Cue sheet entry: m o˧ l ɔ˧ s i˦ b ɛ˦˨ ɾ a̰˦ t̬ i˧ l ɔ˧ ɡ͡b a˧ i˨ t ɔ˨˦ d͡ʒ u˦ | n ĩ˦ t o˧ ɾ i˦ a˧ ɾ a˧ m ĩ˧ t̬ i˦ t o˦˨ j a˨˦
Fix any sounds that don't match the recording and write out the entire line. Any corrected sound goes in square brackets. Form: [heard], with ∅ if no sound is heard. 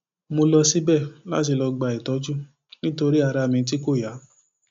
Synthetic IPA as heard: m o˧ l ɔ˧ s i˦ b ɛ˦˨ [l] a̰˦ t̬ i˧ l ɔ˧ ɡ͡b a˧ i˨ t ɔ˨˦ d͡ʒ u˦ | n ĩ˦ t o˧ ɾ i˦ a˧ ɾ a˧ m ĩ˧ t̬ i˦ [k] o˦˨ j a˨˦